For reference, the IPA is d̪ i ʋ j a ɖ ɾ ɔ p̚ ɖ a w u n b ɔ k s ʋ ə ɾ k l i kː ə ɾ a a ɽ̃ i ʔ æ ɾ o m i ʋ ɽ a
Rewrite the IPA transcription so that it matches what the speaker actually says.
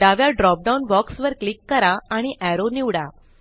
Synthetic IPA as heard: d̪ a ʋ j a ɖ ɾ ɔ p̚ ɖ a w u n b ɔ k s ʋ ə ɾ k l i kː ə ɾ a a ɽ̃ i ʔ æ ɾ o n i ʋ ɽ a